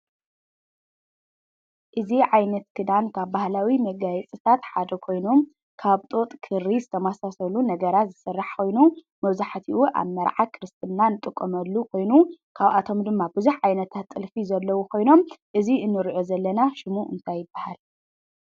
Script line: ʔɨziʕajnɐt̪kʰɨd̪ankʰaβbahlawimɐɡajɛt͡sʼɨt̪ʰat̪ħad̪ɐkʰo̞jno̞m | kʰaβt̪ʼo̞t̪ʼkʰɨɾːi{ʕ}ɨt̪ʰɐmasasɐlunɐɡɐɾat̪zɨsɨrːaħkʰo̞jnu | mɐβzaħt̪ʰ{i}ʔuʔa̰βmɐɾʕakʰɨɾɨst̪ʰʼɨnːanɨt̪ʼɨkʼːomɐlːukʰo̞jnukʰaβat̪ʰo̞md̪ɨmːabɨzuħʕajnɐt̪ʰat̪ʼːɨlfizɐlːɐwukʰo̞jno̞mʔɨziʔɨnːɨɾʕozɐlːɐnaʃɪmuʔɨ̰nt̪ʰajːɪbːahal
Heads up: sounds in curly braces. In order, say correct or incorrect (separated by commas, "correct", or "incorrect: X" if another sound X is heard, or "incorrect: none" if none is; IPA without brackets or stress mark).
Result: incorrect: z, correct